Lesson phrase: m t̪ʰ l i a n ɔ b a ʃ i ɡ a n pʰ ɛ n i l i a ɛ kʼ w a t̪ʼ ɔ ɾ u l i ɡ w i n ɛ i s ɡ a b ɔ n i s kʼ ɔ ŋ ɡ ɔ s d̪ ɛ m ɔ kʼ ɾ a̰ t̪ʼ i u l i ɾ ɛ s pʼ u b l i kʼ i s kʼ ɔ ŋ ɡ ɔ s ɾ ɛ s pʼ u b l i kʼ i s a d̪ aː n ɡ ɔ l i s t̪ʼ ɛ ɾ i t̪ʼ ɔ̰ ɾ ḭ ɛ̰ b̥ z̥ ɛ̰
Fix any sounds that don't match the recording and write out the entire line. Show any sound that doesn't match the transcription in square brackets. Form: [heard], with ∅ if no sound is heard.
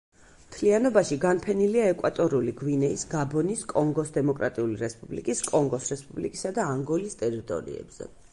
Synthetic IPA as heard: m t̪ʰ l i a n ɔ b a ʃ i ɡ a n pʰ ɛ n i l i a ɛ kʼ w a t̪ʼ ɔ ɾ u l i ɡ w i n ɛ i s ɡ a b ɔ n i s kʼ ɔ ŋ ɡ ɔ s d̪ ɛ m ɔ kʼ ɾ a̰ t̪ʼ i u l i ɾ ɛ s pʼ u b l i kʼ i s kʼ ɔ ŋ ɡ ɔ s ɾ ɛ s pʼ u b l i kʼ i s a d̪ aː [ŋ] ɡ ɔ l i s t̪ʼ ɛ ɾ i t̪ʼ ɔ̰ ɾ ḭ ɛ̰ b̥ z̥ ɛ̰

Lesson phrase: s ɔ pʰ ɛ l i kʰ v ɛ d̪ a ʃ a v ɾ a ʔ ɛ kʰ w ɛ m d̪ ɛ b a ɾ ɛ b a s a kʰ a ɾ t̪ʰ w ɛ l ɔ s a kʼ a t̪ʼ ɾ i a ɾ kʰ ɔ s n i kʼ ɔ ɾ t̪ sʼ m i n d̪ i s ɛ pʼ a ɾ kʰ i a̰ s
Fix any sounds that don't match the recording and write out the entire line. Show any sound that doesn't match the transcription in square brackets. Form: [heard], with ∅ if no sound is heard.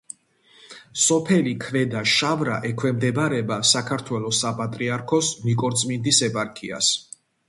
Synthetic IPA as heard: s ɔ pʰ ɛ l i kʰ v ɛ d̪ a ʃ a v ɾ a ʔ ɛ kʰ w ɛ m d̪ ɛ b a ɾ ɛ b a s a kʰ a ɾ t̪ʰ w ɛ l ɔ s a [pʼ] a t̪ʼ ɾ i a ɾ kʰ ɔ s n i kʼ ɔ ɾ t̪ sʼ m i n d̪ i s ɛ pʼ a ɾ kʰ i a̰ s

